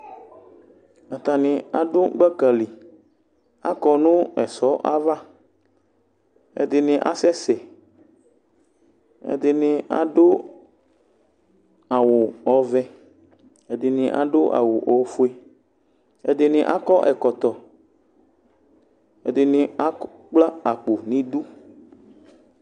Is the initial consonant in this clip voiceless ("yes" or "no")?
yes